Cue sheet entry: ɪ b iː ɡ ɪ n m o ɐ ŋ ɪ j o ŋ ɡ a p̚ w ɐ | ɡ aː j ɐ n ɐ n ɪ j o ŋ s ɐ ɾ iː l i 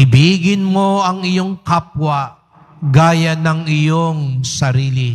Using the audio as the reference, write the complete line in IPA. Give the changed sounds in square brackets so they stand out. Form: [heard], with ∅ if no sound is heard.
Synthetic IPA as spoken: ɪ b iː ɡ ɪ n m o ɐ ŋ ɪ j o ŋ [k] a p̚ w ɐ | ɡ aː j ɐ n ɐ [ŋ] ɪ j o ŋ s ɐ ɾ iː l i